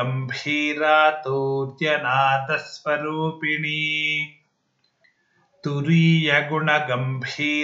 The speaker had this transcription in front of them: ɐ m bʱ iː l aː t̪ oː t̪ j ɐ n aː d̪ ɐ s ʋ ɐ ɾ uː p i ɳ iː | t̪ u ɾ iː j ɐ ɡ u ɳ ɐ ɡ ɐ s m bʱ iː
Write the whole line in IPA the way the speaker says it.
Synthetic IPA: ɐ m bʱ iː ɾ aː t̪ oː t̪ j ɐ n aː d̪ ɐ s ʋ ɐ ɾ uː p i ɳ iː | t̪ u ɾ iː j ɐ ɡ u ɳ ɐ ɡ ɐ m bʱ iː